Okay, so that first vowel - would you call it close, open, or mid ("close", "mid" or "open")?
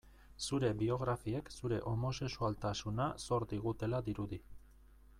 close